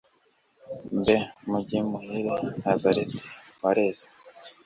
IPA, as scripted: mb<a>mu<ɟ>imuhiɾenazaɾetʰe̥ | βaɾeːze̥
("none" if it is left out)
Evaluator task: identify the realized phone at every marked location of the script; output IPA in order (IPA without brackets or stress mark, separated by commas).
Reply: e, ɟ